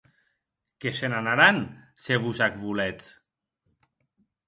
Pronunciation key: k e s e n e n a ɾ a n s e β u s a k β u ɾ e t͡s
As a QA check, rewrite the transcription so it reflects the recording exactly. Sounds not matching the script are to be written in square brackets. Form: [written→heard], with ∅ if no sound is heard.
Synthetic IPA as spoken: k e s e n [e→a] n a ɾ a n s e β u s a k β u [ɾ→l] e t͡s